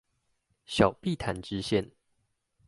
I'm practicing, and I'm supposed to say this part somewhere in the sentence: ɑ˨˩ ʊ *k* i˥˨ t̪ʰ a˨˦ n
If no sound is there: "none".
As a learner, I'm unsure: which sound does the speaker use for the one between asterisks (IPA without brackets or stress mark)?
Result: p